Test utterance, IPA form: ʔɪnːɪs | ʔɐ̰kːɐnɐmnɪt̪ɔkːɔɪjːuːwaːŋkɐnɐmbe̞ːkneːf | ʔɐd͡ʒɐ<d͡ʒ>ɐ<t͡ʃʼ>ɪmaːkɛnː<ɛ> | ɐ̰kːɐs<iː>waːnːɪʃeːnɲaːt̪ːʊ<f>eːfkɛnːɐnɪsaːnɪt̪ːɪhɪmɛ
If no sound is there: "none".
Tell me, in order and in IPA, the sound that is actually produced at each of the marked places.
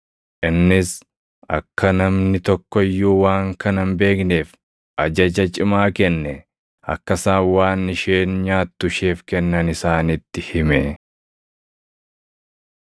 d͡ʒ, t͡ʃʼ, ɛ, aː, ʃ

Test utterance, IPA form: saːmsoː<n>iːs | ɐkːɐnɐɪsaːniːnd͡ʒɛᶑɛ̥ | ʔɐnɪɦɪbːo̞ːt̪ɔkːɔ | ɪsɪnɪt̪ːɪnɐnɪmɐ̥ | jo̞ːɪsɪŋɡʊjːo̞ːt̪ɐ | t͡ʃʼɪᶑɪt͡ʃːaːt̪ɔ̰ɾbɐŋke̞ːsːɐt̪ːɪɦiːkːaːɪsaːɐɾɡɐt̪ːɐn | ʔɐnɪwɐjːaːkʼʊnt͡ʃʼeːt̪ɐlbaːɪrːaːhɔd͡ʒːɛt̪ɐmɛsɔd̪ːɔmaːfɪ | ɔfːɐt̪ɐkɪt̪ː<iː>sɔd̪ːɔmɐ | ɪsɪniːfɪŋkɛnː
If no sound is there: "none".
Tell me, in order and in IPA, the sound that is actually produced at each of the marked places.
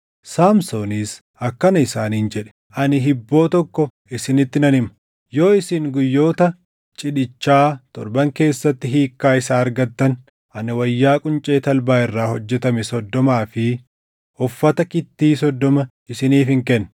n, iː

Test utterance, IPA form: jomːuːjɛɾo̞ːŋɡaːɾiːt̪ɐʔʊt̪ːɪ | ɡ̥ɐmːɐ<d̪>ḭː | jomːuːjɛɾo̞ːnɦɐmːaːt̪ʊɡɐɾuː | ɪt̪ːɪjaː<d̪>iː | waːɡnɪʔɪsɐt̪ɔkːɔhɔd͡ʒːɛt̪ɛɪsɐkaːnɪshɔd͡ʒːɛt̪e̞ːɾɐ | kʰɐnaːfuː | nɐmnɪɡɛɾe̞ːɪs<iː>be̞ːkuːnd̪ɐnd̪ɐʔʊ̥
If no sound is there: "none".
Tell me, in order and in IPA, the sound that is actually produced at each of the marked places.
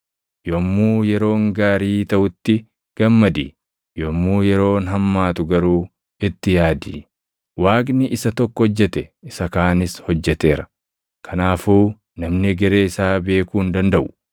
d̪, d̪, aː

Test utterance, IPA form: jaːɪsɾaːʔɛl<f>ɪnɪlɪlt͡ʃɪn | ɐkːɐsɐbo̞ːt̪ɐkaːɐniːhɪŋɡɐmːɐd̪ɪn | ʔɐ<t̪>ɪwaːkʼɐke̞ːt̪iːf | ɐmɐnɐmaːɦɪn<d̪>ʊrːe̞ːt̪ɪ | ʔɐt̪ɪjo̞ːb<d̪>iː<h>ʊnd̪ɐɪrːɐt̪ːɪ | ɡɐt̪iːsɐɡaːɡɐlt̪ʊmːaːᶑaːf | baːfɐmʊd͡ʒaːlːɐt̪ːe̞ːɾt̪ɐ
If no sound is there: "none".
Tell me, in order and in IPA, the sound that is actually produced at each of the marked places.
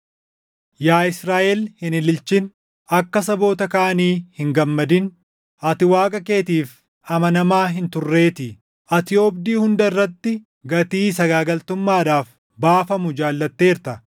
h, t̪, t̪, d̪, h

